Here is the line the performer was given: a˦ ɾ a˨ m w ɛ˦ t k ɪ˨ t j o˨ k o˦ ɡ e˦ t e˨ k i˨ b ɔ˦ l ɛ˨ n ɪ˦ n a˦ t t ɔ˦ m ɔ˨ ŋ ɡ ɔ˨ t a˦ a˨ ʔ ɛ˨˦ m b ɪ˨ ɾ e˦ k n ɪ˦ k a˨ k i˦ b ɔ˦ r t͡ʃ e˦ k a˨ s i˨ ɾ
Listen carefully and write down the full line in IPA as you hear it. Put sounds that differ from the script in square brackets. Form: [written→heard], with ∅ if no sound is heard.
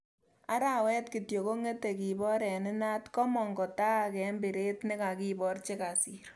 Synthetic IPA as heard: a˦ ɾ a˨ [m→∅] w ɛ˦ t k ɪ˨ t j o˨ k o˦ [ɡ→ŋ] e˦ t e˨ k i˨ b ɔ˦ [l→ɾ] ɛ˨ n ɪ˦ n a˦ t [t→k] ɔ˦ m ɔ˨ ŋ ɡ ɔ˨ t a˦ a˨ [ʔ→k] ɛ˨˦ m b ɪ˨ ɾ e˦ [k→t] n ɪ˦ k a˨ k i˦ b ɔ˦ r t͡ʃ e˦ k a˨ s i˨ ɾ